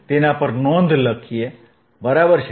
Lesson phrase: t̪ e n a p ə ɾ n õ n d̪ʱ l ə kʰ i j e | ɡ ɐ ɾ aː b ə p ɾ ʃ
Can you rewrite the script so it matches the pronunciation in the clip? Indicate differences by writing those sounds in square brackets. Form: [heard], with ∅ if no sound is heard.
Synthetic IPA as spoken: t̪ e n a p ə ɾ n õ n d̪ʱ l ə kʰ i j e | [b] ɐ ɾ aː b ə [∅] ɾ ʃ